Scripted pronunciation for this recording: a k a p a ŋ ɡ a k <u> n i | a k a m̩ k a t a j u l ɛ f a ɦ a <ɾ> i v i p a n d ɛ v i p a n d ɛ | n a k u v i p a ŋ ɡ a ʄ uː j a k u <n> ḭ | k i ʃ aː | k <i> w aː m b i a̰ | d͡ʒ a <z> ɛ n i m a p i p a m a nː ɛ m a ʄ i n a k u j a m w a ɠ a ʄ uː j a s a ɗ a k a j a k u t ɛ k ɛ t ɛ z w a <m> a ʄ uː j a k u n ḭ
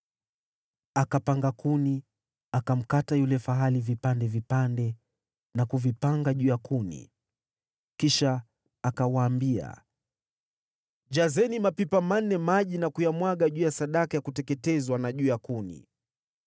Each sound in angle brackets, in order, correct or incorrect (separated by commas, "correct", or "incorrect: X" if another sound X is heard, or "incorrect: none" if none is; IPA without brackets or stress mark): correct, incorrect: l, correct, incorrect: a, correct, incorrect: n